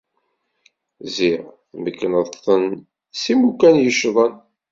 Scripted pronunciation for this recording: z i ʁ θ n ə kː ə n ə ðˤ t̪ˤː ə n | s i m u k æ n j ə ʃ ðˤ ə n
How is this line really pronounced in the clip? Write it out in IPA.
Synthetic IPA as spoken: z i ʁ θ m ə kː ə n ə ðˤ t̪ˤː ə n | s i m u k æ n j ə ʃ ðˤ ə n